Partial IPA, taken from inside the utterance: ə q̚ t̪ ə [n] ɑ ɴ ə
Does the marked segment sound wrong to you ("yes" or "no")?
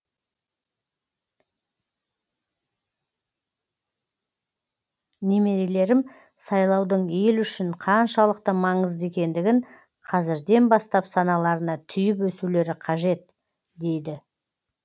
yes